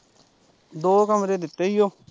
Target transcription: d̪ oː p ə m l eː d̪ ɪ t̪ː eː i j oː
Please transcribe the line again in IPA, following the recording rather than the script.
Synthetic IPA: d̪ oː k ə m ɾ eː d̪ ɪ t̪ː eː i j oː

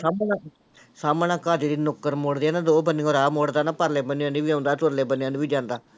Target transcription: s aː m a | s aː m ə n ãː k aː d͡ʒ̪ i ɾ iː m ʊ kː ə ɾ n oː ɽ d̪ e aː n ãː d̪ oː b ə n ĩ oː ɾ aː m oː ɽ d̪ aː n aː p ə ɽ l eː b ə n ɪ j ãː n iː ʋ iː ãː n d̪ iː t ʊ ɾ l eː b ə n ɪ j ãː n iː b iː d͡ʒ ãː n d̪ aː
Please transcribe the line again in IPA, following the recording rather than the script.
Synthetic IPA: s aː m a | s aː m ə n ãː k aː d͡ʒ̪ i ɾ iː n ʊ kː ə ɾ m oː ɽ d̪ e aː n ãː d̪ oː b ə n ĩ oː ɾ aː m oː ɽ d̪ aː n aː p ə ɾ l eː b ə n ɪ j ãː n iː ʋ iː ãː n d̪ aː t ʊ ɾ l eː b ə n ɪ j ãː n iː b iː d͡ʒ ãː n d̪ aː

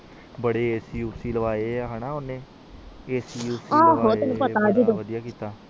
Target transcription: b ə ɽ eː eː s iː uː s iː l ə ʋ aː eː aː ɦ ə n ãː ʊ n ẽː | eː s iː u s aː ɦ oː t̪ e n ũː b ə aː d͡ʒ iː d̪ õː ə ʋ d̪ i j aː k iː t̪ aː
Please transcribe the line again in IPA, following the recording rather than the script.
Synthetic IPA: b ə ɽ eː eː s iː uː s iː l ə ʋ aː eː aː ɦ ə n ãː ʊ n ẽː | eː s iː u s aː ɦ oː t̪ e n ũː p ə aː d͡ʒ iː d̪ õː ə d̪ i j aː k iː t̪ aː

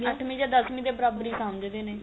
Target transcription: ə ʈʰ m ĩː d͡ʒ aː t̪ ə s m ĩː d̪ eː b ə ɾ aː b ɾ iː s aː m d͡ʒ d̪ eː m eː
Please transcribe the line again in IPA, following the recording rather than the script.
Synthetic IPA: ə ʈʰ m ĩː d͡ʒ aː d̪ ə s m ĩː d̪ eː b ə ɾ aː b ɾ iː s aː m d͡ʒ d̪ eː n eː

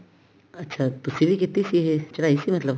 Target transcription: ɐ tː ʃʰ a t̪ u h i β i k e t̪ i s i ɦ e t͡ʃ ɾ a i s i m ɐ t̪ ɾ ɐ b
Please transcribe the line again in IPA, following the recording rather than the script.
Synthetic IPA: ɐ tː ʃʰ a t̪ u s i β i k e t̪ i s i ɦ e t͡ʃ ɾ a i s i m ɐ t̪ l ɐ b

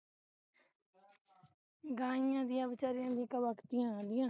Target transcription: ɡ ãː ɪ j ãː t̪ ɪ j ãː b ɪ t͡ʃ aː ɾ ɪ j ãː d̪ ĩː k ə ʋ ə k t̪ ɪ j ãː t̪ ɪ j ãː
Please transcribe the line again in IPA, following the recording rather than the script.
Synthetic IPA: ɡ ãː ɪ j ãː d̪ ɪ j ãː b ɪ t͡ʃ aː ɾ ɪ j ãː d̪ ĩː k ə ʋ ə k t̪ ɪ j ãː d̪ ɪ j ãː

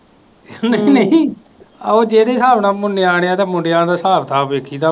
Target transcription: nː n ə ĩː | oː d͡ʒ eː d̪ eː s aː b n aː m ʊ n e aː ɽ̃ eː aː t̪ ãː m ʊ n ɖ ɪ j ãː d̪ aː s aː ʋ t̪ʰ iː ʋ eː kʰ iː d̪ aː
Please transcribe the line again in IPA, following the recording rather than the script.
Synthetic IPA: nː n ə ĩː | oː d͡ʒ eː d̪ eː s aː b n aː m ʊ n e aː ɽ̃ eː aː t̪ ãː m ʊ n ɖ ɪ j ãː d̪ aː s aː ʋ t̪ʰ aː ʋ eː kʰ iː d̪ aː

